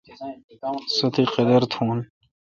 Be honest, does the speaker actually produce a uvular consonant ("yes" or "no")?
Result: yes